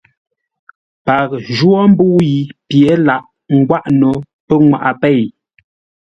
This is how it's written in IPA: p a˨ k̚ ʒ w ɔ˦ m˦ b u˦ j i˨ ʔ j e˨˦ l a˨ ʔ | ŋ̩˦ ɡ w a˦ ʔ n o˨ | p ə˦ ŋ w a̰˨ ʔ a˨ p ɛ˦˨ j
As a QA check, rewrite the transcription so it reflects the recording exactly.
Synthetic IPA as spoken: p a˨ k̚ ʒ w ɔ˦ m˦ b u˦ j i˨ p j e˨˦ l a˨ ʔ | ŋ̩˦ ɡ w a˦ ʔ n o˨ | p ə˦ ŋ w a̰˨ ʔ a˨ p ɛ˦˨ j